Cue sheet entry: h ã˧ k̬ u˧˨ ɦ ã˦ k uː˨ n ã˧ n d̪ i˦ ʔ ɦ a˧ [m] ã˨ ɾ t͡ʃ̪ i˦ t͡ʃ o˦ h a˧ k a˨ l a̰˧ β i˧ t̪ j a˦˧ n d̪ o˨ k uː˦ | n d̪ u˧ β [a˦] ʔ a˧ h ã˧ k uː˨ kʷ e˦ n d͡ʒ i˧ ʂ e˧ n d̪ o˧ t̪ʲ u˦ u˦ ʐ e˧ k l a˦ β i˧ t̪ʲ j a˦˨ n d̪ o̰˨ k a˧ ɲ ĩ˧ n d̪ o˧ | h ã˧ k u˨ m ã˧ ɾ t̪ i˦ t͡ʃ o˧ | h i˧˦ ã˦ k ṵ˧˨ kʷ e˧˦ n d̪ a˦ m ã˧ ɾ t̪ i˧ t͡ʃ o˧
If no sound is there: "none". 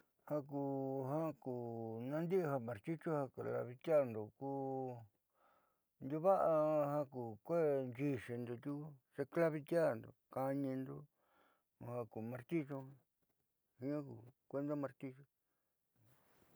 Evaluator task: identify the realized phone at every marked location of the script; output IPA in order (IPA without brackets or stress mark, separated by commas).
m, a˦